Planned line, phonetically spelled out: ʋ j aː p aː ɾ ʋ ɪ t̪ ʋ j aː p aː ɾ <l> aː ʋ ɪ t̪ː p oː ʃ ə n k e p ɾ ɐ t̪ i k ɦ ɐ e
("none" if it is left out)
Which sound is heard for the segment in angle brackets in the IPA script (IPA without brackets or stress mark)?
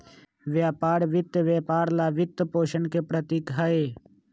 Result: l